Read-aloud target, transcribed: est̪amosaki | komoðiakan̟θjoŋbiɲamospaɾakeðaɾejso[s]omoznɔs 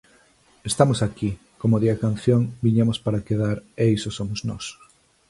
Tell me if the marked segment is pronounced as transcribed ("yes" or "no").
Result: yes